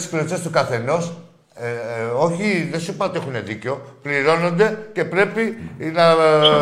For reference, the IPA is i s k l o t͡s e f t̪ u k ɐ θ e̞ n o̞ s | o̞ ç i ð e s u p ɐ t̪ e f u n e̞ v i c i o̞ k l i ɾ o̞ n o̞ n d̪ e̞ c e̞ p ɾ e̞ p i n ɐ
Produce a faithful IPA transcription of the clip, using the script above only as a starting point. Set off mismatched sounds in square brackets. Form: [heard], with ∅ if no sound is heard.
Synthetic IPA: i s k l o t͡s e [s] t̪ u k ɐ θ e̞ n o̞ s | o̞ ç i ð e s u p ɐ t̪ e [x] u n e̞ [ð] i c [e] o̞ [p] l i ɾ o̞ n o̞ n d̪ e̞ c e̞ p ɾ e̞ p i n ɐ